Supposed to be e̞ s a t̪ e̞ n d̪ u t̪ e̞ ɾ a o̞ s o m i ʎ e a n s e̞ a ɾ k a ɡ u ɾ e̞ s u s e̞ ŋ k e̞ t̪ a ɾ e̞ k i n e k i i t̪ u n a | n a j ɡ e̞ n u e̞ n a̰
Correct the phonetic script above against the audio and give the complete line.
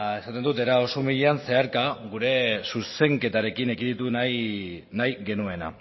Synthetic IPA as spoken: e̞ s a t̪ e̞ n d̪ u t̪ e̞ ɾ a o̞ s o m i ʎ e a n s e̞ a ɾ k a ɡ u ɾ e̞ s u s e̞ ŋ k e̞ t̪ a ɾ e̞ k i n e k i i t̪ u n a | n a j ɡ e̞ n u e̞ n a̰